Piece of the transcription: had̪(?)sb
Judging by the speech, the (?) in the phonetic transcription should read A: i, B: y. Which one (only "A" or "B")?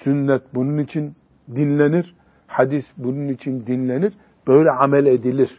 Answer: A